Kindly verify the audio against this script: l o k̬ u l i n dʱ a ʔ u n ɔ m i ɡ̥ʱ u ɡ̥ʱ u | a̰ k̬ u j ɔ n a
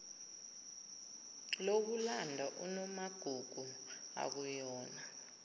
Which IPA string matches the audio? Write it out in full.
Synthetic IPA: l o k̬ u l a n dʱ a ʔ u n ɔ m a ɡ̥ʱ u ɡ̥ʱ u | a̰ k̬ u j ɔː n a

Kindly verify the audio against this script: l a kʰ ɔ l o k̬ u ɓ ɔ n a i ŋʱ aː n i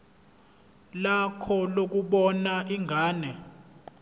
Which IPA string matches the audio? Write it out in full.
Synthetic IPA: l a kʰ ɔ l o k̬ u ɓ ɔ n a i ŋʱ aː n ɛ

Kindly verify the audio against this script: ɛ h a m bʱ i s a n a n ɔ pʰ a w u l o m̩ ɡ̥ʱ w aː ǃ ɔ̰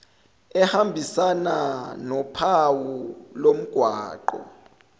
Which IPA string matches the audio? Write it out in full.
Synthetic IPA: ɛ h a m bʱ i s a n a n ɔ pʰ a w u l o m̩ ɡ̥ʱ w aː ǃ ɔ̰

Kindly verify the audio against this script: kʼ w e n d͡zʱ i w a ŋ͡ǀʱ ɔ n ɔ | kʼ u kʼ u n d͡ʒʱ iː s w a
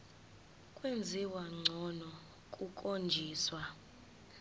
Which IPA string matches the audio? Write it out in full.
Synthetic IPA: kʼ w e n d͡zʱ i w a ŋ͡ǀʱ ɔ n ɔ | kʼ u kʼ o n d͡ʒʱ iː s w a

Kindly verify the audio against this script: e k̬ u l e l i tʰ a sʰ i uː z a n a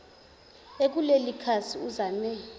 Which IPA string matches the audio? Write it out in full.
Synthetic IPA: e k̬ u l e l i kʰ a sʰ i u z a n ɛ

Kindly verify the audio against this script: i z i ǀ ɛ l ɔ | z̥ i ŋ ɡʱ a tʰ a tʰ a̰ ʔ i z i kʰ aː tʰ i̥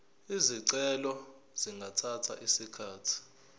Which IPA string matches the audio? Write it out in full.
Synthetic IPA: i z i ǀ ɛ l ɔ | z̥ i ŋ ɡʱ a tʰ a tʰ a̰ ʔ i s i kʰ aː tʰ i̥

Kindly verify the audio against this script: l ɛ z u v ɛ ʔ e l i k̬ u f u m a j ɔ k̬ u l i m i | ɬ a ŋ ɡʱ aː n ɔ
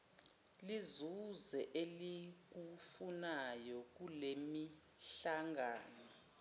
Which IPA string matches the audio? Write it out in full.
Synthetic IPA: l i z u z ɛ ʔ e l i k̬ u f u n a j ɔ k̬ u l e m i | ɬ a ŋ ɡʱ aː n ɔ

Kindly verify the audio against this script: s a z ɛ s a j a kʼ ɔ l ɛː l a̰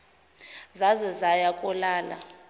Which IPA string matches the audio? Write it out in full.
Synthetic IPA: z a z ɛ z a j a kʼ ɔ l aː l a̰

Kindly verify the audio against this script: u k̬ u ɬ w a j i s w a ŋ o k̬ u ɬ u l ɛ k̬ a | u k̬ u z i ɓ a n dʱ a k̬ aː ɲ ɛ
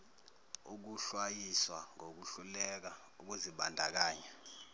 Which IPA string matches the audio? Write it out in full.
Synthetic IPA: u k̬ u ɬ w a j i s w a ŋ o k̬ u ɬ u l ɛ k̬ a | u k̬ u z i ɓ a n dʱ a k̬ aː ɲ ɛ

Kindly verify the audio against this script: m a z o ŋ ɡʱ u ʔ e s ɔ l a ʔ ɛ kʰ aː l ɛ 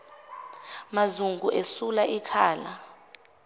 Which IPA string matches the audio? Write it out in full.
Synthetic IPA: m a z u ŋ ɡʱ u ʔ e s u l a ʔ i kʰ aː l a

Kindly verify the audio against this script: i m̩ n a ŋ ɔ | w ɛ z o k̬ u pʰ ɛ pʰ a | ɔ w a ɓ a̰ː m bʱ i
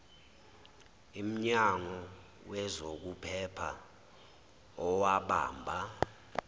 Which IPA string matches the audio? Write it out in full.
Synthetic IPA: i m̩ ɲ a ŋ ɔ | w ɛ z o k̬ u pʰ ɛ pʰ a | ɔ w a ɓ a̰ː m bʱ a

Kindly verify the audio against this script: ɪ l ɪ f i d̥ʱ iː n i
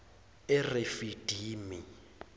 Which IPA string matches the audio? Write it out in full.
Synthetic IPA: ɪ r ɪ f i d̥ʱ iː m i

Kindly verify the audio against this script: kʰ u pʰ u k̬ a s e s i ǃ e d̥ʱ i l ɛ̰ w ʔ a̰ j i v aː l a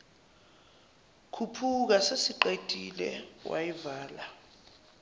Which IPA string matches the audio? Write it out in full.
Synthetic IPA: kʰ u pʰ u k̬ a s e s i ǃ e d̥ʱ i l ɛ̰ w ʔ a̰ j i v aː l a

